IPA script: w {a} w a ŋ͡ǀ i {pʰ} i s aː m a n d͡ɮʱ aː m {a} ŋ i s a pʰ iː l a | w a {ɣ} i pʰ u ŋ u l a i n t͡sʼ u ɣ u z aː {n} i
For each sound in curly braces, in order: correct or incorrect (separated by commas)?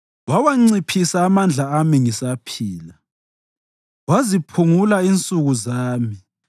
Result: correct, correct, incorrect, incorrect, incorrect